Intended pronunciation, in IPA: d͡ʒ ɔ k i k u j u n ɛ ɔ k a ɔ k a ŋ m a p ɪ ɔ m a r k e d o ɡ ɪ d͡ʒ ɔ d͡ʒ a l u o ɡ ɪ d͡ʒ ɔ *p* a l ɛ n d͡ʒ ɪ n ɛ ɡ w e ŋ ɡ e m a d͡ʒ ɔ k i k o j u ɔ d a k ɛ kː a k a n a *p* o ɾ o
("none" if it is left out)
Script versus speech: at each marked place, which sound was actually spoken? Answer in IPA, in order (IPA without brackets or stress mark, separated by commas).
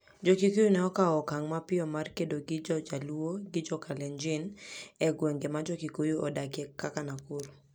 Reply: k, k